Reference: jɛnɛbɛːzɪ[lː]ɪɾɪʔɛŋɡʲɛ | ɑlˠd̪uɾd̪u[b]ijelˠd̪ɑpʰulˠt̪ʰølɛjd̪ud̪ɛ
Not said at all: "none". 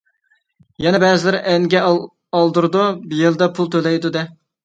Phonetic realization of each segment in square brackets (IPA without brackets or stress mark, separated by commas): l, b